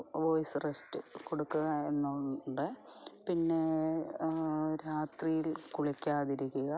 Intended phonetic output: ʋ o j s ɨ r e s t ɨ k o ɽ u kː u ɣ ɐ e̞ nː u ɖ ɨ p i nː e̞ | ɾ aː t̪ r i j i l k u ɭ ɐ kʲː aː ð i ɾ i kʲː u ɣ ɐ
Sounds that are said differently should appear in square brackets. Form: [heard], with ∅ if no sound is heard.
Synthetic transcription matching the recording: ʋ o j s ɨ r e s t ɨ k o ɽ u kː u ɣ ɐ e̞ nː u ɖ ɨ p i nː e̞ | ɾ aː t̪ r i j i l k u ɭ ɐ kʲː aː ð i ɾ i kʲː u ɣ ɐ